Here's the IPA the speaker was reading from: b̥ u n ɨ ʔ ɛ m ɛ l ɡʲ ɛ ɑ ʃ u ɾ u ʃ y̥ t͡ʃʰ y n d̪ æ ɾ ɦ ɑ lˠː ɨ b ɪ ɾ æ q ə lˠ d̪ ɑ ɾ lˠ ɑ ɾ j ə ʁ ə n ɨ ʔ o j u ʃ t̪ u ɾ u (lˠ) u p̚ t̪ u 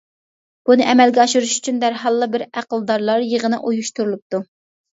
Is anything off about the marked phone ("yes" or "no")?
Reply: no